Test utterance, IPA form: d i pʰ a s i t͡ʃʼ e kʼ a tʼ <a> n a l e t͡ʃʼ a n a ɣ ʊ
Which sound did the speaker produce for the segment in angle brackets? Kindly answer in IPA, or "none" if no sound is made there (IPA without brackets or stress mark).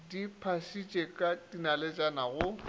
i